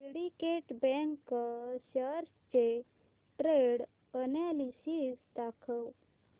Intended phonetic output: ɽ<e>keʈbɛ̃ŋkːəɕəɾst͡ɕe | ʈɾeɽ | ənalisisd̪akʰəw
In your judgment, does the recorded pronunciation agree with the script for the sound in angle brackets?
no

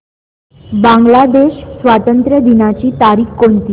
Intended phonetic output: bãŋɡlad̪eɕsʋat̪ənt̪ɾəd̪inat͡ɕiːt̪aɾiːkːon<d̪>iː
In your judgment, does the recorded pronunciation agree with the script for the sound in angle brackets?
no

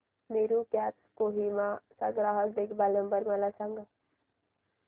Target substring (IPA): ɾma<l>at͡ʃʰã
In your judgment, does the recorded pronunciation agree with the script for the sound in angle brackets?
yes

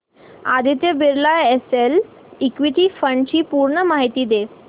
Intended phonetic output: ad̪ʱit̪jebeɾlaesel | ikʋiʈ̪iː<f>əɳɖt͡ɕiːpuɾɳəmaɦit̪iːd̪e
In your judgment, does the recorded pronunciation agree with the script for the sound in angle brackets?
yes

